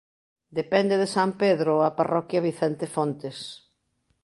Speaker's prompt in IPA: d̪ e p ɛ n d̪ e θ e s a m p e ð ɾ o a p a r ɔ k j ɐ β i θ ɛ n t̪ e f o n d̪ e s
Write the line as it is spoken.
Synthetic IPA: d̪ e p ɛ n d̪ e ð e s a m p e ð ɾ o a p a r ɔ k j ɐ β i θ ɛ n t̪ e f o n t̪ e s